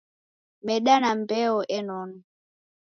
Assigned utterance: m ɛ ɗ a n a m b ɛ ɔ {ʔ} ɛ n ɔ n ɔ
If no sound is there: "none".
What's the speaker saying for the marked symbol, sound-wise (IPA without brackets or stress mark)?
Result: ʔ